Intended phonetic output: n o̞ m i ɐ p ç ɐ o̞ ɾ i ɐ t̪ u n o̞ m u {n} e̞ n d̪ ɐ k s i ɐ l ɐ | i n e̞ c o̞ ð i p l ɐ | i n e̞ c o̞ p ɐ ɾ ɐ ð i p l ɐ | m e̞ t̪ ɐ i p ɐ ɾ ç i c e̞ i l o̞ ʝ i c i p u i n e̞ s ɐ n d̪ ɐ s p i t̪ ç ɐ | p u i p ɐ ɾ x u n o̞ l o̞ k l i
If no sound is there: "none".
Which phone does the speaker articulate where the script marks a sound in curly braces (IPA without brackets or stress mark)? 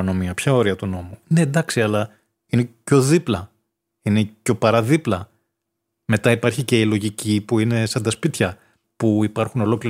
n